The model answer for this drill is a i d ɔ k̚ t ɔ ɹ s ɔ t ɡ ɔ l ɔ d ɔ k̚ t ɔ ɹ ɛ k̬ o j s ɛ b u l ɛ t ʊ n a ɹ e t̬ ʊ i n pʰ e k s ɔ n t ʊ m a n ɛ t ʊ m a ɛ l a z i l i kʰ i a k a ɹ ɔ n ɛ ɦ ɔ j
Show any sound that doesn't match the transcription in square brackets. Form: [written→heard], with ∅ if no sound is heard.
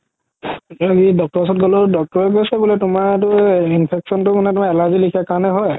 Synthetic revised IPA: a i d ɔ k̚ t ɔ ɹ s ɔ t ɡ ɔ l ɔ d ɔ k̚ t ɔ ɹ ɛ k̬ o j s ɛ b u l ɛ t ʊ [n→m] a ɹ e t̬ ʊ i n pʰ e k s ɔ n t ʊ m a n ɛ t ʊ m a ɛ l a z i l i kʰ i a k a ɹ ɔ n ɛ ɦ ɔ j